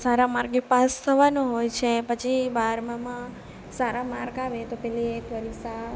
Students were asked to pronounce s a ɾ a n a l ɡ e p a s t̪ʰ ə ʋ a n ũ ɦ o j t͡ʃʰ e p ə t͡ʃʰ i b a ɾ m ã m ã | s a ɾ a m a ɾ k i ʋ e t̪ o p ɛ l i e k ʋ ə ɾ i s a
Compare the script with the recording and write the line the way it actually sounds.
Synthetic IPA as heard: s a ɾ a m a ɾ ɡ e p a s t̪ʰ ə ʋ a n ũ ɦ o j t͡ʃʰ e p ə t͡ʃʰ i b a ɾ m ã m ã | s a ɾ a m a ɾ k a ʋ e t̪ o p ɛ l i e k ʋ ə ɾ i s a